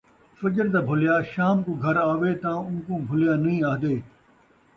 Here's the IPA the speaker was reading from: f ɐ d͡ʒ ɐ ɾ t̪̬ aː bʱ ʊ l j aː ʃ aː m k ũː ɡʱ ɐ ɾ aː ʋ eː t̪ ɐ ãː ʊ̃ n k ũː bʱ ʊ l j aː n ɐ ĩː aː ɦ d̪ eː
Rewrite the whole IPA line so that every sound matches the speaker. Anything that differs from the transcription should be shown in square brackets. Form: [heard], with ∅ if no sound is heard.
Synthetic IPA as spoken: f ɐ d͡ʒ [ə] ɾ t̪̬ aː bʱ ʊ l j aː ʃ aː m k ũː ɡʱ ɐ ɾ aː ʋ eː t̪ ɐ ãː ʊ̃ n k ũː bʱ ʊ l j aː n ɐ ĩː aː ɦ d̪ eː